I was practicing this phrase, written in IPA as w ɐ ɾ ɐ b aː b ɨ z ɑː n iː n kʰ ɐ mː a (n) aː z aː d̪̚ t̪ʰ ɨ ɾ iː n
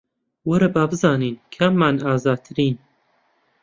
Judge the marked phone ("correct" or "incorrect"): correct